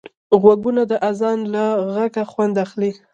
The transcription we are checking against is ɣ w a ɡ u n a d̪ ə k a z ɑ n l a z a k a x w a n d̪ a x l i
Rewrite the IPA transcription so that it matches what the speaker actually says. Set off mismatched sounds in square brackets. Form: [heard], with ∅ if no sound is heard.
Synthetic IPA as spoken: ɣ w a ɡ u n a d̪ ə [ʔ] a z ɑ n l a [ɣ] a k a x w a n d̪ a x l i